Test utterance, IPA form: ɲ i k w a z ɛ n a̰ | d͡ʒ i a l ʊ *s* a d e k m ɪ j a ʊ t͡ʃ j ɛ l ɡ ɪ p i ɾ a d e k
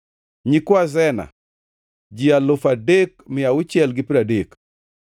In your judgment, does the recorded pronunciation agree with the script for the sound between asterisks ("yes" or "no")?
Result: no